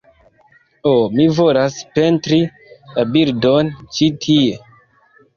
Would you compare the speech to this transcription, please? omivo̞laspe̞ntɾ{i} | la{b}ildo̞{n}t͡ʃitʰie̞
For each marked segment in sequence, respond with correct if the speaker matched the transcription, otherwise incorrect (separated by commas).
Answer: correct, correct, correct